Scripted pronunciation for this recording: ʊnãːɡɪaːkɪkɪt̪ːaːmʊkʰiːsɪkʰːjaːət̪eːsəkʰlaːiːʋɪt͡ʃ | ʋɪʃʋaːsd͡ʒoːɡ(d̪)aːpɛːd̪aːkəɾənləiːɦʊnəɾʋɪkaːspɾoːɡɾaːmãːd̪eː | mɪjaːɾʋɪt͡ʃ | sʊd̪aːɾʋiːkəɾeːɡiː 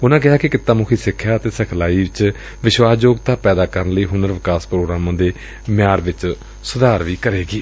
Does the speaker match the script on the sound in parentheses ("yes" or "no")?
no